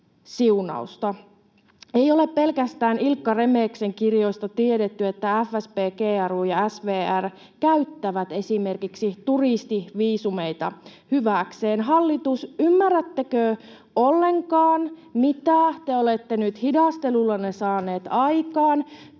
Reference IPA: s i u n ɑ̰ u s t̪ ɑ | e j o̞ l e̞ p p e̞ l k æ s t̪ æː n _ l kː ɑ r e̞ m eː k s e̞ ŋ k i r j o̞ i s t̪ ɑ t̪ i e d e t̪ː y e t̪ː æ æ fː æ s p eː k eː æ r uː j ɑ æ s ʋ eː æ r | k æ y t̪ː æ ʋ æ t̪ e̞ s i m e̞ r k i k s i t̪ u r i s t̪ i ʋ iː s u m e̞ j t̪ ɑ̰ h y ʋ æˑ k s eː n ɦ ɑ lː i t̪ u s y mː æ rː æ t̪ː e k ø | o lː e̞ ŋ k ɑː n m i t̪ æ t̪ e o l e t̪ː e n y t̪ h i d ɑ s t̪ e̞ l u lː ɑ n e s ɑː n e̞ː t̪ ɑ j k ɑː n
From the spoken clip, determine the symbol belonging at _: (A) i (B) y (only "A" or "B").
A